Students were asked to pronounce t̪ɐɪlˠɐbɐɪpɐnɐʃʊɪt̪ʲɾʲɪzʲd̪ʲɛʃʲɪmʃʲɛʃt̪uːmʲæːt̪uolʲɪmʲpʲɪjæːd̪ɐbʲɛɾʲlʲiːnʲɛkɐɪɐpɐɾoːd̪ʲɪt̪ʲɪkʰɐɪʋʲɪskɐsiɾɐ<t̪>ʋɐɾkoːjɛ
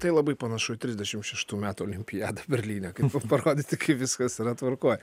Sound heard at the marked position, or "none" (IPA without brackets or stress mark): t̪